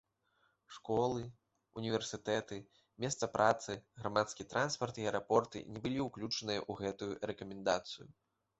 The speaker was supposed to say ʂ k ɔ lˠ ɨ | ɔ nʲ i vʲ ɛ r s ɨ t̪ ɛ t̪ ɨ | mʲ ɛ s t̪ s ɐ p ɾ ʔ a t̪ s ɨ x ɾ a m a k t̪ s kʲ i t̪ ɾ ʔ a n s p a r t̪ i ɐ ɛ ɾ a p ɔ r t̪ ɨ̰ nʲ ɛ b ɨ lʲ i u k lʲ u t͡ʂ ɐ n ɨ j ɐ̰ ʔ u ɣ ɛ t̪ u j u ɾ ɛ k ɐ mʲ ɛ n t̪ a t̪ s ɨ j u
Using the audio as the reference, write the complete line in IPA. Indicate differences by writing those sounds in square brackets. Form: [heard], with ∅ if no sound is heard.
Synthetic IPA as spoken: ʂ k ɔ lˠ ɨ | [u] nʲ i vʲ ɛ r s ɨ t̪ ɛ t̪ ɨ | mʲ ɛ s t̪ s ɐ p ɾ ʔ a t̪ s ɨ [ɣ] ɾ a m a [∅] t̪ s kʲ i t̪ ɾ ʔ a n s p [ɐ] r t̪ i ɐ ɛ ɾ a p ɔ r t̪ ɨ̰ nʲ ɛ b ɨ lʲ i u k lʲ u t͡ʂ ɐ n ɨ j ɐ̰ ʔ u ɣ ɛ t̪ u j u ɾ ɛ k ɐ mʲ ɛ n [d̪] a t̪ s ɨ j u